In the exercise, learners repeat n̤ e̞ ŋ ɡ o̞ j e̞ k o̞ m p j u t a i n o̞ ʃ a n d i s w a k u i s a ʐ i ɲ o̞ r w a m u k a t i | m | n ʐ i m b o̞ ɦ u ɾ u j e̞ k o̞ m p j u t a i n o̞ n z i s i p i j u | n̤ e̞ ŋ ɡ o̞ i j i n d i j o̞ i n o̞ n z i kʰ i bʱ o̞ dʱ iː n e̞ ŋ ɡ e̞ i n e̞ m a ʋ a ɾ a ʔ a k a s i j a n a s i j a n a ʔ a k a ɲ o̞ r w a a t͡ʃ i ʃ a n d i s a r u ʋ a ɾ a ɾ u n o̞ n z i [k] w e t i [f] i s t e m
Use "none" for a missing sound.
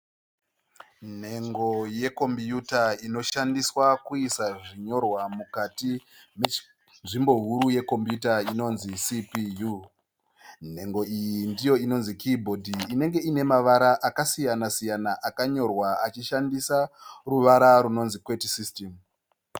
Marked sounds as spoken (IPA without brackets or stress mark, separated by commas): k, s